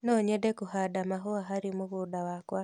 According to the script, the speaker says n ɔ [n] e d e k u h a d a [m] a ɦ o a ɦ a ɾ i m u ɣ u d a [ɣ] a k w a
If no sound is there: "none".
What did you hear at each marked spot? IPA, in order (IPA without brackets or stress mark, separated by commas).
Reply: ɲ, m, w